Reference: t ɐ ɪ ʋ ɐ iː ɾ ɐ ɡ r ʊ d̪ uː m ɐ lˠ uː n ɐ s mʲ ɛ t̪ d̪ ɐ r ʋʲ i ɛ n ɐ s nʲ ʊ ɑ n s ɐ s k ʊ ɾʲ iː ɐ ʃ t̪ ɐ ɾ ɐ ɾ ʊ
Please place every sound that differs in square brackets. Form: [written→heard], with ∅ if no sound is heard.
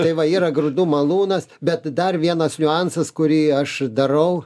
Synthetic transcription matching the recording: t ɐ ɪ ʋ ɐ iː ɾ ɐ ɡ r ʊ d̪ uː m ɐ lˠ uː n ɐ s [mʲ→bʲ] ɛ t̪ d̪ ɐ r ʋʲ i ɛ n ɐ s nʲ ʊ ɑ n s ɐ s k ʊ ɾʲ iː ɐ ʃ [t̪→d̪] ɐ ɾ ɐ [ɾ→∅] ʊ